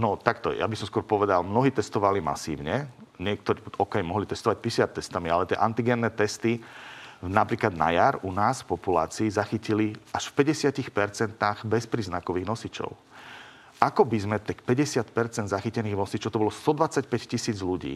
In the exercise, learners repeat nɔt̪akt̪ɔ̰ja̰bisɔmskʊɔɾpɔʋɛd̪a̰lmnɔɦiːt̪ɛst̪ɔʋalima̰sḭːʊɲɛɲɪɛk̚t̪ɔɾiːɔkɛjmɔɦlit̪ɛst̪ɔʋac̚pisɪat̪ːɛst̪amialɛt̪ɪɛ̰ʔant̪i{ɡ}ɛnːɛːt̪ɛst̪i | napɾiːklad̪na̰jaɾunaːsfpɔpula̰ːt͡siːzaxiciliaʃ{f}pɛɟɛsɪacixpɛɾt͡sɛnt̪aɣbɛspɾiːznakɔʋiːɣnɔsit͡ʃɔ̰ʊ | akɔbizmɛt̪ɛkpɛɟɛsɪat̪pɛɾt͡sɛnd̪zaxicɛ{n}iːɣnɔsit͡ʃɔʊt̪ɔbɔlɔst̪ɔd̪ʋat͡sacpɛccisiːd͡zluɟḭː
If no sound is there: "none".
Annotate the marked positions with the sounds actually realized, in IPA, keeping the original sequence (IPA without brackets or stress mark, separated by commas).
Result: ɡ, f, n